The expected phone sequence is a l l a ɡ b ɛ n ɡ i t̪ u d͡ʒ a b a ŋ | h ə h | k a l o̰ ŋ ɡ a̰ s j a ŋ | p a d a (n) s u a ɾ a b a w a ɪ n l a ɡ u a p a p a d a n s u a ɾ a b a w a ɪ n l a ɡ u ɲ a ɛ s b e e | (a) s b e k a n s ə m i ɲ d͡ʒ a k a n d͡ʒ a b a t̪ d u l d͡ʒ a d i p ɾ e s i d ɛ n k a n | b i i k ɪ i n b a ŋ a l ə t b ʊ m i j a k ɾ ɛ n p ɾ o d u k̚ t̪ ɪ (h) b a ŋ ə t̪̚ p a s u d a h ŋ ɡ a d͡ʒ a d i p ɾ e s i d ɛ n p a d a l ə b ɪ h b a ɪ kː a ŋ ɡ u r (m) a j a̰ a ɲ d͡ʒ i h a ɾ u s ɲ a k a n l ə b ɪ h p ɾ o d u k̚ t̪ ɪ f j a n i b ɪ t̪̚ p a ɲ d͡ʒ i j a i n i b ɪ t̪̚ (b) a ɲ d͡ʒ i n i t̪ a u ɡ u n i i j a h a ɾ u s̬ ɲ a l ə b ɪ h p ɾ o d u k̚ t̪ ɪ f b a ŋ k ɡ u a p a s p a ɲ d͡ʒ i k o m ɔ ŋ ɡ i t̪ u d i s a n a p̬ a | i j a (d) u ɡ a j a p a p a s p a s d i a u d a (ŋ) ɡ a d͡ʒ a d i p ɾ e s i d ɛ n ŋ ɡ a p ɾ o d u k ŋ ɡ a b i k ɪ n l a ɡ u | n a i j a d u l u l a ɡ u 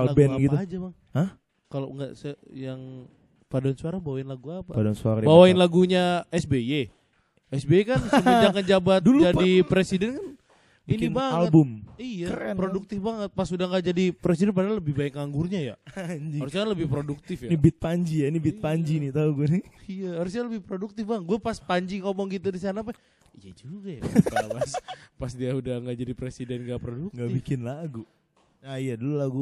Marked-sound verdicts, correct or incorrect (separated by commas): correct, incorrect, incorrect, incorrect, incorrect, incorrect, correct